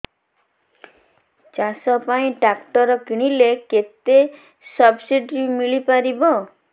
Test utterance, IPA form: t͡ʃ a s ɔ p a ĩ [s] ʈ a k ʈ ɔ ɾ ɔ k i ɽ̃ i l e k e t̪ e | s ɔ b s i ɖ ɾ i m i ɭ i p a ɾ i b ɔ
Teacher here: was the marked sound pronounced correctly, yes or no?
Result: no